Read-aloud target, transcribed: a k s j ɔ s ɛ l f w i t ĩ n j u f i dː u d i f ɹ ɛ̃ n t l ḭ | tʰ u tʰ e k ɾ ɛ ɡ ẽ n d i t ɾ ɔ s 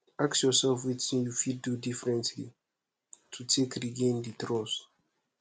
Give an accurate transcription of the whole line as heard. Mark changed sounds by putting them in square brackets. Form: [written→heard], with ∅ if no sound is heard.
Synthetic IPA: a k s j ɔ s ɛ l f w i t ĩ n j u f i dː u d i f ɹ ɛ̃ n t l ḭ | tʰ u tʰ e k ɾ [ɛ→i] ɡ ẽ n d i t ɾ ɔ s